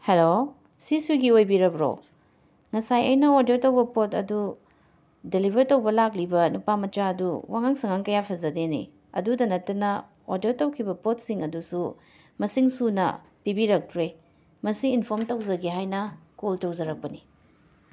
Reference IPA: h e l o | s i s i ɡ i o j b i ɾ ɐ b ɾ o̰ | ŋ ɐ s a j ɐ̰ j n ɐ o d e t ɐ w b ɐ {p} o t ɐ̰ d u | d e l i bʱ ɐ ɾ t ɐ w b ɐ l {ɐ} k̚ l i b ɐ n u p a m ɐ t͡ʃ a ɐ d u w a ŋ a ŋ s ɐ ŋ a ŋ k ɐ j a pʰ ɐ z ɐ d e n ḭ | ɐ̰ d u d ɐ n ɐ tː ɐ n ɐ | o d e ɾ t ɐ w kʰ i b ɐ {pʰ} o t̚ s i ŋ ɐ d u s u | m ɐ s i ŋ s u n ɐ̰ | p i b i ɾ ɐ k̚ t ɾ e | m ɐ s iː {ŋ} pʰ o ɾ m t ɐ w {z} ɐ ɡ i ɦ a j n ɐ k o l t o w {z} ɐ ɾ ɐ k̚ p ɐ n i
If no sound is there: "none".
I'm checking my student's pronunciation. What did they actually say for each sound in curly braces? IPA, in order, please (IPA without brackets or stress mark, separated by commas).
p, a, p, n, z, z